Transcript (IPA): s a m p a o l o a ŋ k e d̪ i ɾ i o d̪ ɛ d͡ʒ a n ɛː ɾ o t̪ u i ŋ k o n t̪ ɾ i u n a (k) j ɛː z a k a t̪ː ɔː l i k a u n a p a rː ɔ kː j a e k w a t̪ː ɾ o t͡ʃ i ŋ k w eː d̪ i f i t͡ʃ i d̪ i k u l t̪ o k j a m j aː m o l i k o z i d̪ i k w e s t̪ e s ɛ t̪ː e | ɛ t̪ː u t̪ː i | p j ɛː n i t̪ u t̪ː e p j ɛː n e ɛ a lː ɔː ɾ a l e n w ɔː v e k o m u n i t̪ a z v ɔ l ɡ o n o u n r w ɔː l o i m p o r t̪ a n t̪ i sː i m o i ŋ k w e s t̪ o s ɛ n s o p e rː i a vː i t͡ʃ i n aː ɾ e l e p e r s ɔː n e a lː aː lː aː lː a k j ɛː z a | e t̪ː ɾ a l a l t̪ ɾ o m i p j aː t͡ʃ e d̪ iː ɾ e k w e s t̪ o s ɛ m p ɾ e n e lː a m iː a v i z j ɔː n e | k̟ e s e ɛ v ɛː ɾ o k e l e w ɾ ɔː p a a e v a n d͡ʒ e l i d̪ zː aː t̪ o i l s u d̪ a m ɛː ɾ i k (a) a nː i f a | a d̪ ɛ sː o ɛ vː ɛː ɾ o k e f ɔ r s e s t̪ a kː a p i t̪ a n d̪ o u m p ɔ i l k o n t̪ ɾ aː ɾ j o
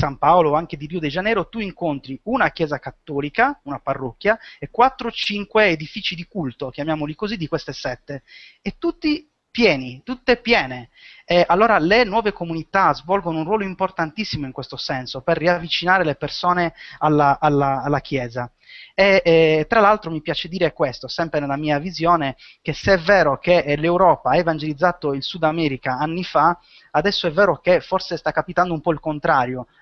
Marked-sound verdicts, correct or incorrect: correct, correct

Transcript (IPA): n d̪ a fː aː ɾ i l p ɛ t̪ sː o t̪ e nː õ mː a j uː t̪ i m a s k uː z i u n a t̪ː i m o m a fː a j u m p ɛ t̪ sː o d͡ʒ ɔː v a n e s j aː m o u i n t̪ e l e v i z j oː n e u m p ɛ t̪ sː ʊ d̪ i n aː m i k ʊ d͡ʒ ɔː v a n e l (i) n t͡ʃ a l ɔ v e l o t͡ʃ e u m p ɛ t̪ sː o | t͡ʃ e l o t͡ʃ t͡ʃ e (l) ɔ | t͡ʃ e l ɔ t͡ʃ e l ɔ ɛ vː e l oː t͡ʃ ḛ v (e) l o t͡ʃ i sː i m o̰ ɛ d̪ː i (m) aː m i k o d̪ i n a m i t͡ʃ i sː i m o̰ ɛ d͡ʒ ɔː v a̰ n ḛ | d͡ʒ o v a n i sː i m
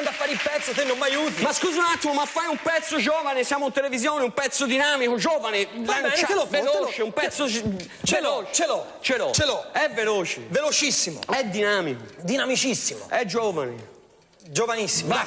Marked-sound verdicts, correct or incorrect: incorrect: a, correct, correct, incorrect: n

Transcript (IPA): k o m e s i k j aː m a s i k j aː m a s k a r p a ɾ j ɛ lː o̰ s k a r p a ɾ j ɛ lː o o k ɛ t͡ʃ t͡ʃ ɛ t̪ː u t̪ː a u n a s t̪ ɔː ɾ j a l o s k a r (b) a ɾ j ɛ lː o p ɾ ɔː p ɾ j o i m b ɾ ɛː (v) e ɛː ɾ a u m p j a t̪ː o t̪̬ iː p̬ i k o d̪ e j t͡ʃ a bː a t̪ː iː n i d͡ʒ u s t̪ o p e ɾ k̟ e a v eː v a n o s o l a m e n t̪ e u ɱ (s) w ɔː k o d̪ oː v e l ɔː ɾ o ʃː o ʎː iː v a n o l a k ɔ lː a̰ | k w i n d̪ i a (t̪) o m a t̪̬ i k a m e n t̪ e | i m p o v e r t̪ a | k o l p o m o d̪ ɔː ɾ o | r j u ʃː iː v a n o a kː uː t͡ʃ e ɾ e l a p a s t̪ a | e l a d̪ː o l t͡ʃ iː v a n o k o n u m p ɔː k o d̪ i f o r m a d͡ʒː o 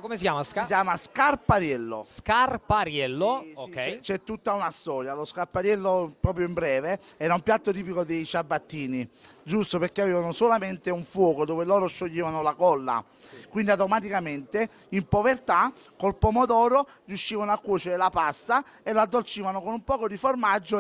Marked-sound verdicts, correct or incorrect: incorrect: p, correct, incorrect: f, correct

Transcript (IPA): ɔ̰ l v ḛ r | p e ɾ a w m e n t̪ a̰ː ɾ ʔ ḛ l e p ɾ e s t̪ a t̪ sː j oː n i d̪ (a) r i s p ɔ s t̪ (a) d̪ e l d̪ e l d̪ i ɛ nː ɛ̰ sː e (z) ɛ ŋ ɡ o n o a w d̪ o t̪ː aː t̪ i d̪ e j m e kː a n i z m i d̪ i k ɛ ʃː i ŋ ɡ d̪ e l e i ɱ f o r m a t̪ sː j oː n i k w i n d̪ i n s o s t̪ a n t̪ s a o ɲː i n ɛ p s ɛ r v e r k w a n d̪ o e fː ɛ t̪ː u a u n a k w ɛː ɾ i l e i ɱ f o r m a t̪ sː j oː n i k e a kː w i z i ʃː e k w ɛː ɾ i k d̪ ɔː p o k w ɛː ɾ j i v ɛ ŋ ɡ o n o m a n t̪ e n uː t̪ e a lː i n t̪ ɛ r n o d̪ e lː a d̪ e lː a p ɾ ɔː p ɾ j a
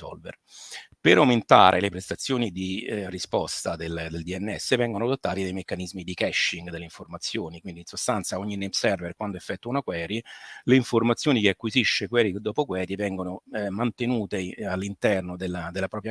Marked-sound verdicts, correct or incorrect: incorrect: i, correct, incorrect: v

